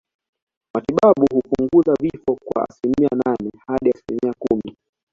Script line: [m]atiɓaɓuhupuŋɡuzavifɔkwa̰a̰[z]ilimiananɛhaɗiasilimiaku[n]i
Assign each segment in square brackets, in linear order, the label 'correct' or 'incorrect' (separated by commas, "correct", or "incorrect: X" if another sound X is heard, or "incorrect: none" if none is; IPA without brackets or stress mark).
correct, incorrect: s, incorrect: m